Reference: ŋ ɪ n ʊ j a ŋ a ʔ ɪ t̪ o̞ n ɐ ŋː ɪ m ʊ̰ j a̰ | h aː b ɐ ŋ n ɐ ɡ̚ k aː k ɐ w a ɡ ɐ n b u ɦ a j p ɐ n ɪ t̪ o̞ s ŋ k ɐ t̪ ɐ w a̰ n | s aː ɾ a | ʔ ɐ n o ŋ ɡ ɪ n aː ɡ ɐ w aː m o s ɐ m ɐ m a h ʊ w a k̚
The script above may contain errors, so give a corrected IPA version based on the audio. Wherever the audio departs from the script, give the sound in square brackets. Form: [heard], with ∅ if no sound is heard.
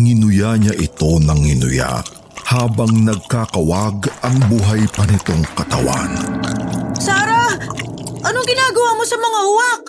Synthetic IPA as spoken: ŋ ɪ n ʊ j a [ɲ] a ʔ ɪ t̪ o̞ n ɐ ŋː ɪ [n] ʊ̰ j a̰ | h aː b ɐ ŋ n ɐ ɡ̚ k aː k ɐ w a ɡ ɐ [ŋ] b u ɦ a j p ɐ n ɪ t̪ o̞ [∅] ŋ k ɐ t̪ ɐ w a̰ n | s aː ɾ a | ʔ ɐ n o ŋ ɡ ɪ n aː ɡ ɐ w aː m o s ɐ m ɐ [ŋ] a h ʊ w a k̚